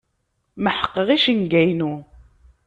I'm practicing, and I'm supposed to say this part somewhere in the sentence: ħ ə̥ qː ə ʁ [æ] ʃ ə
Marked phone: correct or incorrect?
incorrect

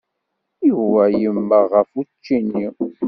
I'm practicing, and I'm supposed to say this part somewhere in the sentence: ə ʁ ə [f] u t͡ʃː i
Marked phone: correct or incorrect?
correct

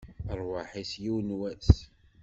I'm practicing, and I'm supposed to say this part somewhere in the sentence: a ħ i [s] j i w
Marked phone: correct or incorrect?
correct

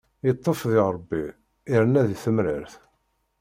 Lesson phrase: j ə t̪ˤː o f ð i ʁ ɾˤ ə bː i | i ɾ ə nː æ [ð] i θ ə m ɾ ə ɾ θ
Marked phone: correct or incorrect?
correct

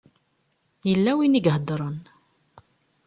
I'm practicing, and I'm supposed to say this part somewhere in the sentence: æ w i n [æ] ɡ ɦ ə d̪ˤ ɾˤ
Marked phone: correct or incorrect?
incorrect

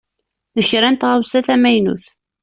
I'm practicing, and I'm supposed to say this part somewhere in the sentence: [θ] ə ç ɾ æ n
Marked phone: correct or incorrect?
incorrect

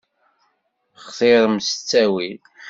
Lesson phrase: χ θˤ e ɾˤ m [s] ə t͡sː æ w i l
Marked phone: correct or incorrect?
correct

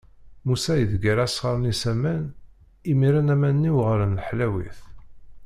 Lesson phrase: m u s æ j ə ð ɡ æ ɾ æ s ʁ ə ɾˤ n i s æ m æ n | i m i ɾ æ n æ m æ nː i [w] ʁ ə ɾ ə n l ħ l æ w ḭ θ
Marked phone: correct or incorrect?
correct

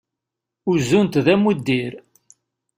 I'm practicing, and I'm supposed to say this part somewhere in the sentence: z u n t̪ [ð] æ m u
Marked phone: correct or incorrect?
correct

